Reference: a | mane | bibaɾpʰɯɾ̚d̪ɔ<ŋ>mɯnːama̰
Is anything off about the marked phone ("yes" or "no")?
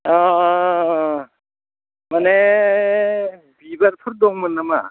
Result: no